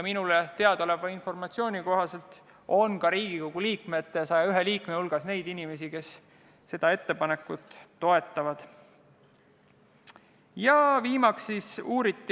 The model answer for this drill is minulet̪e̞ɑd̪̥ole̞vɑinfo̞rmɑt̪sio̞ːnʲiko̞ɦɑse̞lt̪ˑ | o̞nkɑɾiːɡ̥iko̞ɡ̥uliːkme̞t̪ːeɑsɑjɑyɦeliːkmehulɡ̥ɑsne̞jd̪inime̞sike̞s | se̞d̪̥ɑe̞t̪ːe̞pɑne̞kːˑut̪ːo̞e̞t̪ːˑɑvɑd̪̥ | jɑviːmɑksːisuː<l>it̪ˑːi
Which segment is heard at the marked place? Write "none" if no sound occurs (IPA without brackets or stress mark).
ɾ